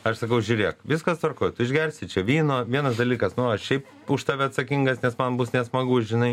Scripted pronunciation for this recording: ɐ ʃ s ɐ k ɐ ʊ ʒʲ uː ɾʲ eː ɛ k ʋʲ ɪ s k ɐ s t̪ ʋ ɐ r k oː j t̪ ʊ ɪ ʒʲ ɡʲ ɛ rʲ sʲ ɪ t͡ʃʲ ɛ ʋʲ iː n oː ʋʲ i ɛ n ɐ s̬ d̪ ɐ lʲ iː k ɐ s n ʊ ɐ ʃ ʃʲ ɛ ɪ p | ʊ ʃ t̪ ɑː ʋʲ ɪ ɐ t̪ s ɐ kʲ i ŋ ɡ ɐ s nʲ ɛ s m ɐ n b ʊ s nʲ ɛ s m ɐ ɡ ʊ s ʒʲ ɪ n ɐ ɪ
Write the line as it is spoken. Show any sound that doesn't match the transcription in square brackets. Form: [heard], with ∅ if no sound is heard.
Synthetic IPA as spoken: ɐ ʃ s ɐ k ɐ ʊ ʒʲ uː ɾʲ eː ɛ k ʋʲ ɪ s k ɐ s t̪ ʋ ɐ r k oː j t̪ ʊ ɪ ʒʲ ɡʲ ɛ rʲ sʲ ɪ t͡ʃʲ ɛ ʋʲ iː n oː ʋʲ i ɛ n ɐ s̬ d̪ ɐ lʲ iː k ɐ s n ʊ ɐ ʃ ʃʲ ɛ ɪ p | ʊ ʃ t̪ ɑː ʋʲ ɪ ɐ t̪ s ɐ kʲ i ŋ ɡ ɐ s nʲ ɛ s m ɐ n b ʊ s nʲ ɛ s m ɐ ɡ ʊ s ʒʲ ɪ n ɐ ɪ

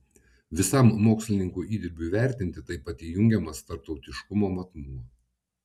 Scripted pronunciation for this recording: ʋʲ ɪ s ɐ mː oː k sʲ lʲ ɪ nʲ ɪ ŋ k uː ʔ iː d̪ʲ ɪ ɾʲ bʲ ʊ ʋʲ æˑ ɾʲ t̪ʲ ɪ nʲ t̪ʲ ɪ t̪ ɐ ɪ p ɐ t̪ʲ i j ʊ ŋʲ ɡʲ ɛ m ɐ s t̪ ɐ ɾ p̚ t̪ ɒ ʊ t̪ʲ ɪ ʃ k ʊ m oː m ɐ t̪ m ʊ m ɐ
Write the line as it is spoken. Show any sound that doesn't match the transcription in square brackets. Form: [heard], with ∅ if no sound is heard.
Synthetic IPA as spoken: ʋʲ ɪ s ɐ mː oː k sʲ lʲ ɪ nʲ ɪ ŋ k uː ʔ iː d̪ʲ ɪ ɾʲ bʲ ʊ ʋʲ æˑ ɾʲ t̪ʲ ɪ nʲ t̪ʲ ɪ t̪ ɐ ɪ p ɐ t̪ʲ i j ʊ ŋʲ ɡʲ ɛ m ɐ s t̪ ɐ ɾ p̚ t̪ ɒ ʊ t̪ʲ ɪ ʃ k ʊ m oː m ɐ t̪ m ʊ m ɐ

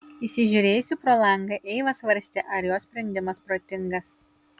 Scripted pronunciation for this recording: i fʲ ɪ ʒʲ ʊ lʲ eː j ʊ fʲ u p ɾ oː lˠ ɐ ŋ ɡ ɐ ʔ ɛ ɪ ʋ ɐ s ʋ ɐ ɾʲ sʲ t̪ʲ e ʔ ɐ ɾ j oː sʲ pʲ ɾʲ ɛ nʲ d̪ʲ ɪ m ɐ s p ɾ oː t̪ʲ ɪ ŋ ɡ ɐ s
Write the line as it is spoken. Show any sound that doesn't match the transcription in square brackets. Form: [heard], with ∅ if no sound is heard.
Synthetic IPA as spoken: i [sʲ] ɪ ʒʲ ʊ [ɾʲ] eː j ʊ [sʲ] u p ɾ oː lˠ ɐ ŋ ɡ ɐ ʔ ɛ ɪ ʋ ɐ s ʋ ɐ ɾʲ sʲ t̪ʲ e ʔ ɐ ɾ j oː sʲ pʲ ɾʲ ɛ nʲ d̪ʲ ɪ m ɐ s p ɾ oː t̪ʲ ɪ ŋ ɡ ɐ s

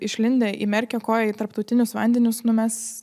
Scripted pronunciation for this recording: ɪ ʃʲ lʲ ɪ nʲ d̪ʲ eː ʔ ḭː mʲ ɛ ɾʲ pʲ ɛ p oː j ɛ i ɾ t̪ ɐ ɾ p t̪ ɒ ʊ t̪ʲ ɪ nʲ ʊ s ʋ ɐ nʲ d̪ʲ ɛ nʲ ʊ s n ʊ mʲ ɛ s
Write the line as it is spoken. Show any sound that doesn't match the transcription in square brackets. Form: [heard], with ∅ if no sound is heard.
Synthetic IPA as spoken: ɪ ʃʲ lʲ ɪ nʲ d̪ʲ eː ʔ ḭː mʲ ɛ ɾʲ [kʲ] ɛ [k] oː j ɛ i [∅] t̪ ɐ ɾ p t̪ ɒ ʊ t̪ʲ ɪ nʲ ʊ s ʋ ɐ nʲ d̪ʲ ɛ nʲ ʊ s n ʊ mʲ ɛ s

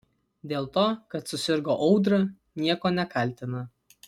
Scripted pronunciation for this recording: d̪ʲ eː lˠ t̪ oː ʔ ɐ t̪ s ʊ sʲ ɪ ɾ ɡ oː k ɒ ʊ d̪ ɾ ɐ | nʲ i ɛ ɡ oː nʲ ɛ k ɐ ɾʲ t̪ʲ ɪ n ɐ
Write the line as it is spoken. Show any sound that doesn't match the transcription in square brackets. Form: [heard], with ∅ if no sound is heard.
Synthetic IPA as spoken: d̪ʲ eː lˠ t̪ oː [k] ɐ t̪ s ʊ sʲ ɪ ɾ ɡ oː [ʔ] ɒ ʊ d̪ ɾ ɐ | nʲ i ɛ [k] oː nʲ ɛ k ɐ [lʲ] t̪ʲ ɪ n ɐ

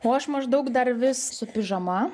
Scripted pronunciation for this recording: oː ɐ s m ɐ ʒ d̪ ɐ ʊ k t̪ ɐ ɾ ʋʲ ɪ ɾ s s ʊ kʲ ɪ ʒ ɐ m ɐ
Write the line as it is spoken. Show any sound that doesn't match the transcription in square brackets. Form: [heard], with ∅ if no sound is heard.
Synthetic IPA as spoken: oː ɐ [ʃ] m ɐ ʒ d̪ ɐ ʊ k [d̪] ɐ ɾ ʋʲ ɪ [∅] s s ʊ [pʲ] ɪ ʒ ɐ m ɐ

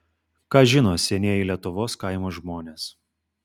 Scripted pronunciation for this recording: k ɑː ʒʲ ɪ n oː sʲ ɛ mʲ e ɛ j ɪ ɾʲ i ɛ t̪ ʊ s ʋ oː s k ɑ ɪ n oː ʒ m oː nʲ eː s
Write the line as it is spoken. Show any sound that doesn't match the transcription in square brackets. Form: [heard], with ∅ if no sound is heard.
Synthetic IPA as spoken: k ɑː ʒʲ ɪ n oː sʲ ɛ [nʲ] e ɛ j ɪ [lʲ] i ɛ t̪ ʊ [∅] ʋ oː s k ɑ ɪ [m] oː ʒ m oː nʲ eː s

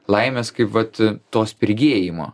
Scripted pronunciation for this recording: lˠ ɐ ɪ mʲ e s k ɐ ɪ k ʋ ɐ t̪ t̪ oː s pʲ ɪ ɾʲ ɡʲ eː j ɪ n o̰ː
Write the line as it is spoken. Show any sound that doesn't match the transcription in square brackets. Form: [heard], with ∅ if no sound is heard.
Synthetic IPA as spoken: lˠ ɐ ɪ mʲ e s k ɐ ɪ [p] ʋ ɐ t̪ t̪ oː s pʲ ɪ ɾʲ ɡʲ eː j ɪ [m] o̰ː

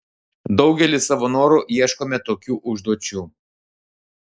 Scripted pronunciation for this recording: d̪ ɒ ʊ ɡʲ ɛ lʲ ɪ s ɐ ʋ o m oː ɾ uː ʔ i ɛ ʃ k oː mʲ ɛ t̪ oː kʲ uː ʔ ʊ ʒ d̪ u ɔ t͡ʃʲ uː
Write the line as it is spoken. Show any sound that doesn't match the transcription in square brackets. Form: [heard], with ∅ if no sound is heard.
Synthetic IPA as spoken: d̪ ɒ ʊ ɡʲ ɛ lʲ ɪ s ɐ ʋ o [n] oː ɾ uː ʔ i ɛ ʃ k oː mʲ ɛ t̪ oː kʲ uː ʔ ʊ ʒ d̪ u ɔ t͡ʃʲ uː

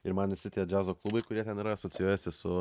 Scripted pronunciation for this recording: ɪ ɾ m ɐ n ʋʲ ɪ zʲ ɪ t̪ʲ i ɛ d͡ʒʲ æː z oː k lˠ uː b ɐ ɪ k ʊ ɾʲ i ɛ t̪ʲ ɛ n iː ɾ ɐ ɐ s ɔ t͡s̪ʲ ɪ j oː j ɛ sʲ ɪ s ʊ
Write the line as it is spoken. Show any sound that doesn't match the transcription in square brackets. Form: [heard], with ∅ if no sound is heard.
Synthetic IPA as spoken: ɪ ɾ m ɐ n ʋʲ ɪ [sʲ] ɪ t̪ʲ i ɛ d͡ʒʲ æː z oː k lˠ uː b ɐ ɪ k ʊ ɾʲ i ɛ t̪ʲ ɛ n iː ɾ ɐ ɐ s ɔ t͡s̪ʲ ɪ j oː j ɛ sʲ ɪ s ʊ

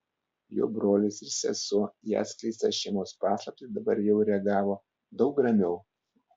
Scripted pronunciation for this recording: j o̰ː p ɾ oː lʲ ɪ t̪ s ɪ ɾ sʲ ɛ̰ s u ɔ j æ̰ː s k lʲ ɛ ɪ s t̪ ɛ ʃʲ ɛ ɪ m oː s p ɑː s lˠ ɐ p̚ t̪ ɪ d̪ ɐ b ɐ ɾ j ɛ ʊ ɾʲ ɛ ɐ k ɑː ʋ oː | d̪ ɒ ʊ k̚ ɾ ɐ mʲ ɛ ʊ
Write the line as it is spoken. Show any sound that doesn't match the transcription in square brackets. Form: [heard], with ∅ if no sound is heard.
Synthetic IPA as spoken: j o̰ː [b] ɾ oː lʲ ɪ [∅] s ɪ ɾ sʲ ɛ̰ s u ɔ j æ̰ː s k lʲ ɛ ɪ s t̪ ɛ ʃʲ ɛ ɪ m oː s p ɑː s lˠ ɐ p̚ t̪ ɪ d̪ ɐ b ɐ ɾ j ɛ ʊ ɾʲ ɛ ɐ [ɡ] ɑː ʋ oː | d̪ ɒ ʊ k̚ ɾ ɐ mʲ ɛ ʊ

